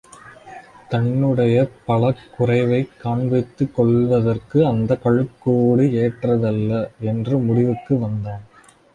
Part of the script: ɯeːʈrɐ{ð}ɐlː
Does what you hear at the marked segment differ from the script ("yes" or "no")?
no